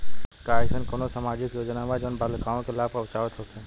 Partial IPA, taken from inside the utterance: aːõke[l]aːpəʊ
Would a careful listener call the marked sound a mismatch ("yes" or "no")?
no